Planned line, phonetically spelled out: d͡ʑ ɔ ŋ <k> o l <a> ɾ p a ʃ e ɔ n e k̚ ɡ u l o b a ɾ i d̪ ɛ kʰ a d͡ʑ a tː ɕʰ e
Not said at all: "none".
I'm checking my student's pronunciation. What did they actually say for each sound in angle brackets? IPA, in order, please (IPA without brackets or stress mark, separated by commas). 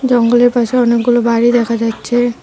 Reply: ɡ, e